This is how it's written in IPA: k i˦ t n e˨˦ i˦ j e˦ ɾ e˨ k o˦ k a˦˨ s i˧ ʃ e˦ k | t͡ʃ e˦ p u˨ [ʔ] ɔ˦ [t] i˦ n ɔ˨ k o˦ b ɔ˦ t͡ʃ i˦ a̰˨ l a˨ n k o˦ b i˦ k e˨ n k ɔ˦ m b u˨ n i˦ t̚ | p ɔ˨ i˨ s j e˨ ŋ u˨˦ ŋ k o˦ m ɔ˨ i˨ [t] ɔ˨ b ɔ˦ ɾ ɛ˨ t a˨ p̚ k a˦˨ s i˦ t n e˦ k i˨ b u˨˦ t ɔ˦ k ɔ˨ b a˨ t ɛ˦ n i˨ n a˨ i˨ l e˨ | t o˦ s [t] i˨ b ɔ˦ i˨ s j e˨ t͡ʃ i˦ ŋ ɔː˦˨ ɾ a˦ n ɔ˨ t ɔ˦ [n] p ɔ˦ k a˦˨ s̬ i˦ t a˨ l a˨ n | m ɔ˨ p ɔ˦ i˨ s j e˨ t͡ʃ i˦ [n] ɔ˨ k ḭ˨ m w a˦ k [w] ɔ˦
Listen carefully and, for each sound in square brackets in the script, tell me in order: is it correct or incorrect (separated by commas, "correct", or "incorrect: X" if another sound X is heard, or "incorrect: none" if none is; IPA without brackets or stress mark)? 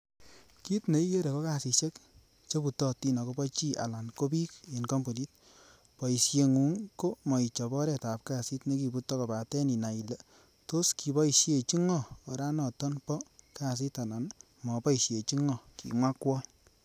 incorrect: t, correct, incorrect: t͡ʃ, incorrect: k, correct, incorrect: ŋ, correct